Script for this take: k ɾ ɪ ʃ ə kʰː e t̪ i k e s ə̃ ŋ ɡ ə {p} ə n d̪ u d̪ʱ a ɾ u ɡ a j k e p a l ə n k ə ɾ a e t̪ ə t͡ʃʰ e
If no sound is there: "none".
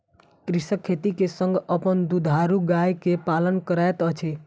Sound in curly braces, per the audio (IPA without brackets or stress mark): p